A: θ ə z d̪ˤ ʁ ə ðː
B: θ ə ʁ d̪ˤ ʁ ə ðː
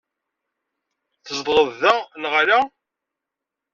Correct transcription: A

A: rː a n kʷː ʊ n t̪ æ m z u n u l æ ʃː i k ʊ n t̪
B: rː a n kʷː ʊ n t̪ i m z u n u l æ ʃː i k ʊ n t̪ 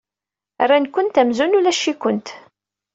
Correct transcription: A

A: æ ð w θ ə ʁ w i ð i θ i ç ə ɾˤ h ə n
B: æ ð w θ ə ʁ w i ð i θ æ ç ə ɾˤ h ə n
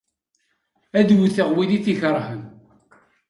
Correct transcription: A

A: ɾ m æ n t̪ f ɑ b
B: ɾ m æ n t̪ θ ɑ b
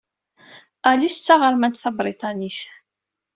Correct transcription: B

